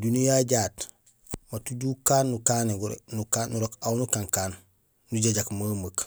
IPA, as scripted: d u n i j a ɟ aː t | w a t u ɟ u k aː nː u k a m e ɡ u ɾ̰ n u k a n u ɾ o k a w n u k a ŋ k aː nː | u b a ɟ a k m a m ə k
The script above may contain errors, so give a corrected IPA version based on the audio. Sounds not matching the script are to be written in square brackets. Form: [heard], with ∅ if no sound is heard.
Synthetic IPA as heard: d u n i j a ɟ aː t | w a t u ɟ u k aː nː u k a [n] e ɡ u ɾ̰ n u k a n u ɾ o k a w n u k a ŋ k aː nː | u [ɟ] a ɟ a k m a m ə k